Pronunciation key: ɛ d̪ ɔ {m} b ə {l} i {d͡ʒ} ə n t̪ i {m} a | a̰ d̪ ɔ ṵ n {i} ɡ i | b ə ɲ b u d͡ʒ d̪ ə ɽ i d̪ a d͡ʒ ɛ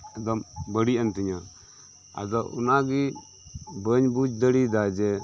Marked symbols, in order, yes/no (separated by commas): yes, no, no, no, no